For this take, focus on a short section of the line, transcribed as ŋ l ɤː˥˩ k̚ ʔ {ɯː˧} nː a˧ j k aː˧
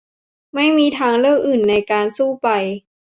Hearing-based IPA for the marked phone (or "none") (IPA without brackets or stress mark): ɯː˨˩